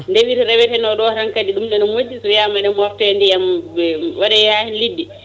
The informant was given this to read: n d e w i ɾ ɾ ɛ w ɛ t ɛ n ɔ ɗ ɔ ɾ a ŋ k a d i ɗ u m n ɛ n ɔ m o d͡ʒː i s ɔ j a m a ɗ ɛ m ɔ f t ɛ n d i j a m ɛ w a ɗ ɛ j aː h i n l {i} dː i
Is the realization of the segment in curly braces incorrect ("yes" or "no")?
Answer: no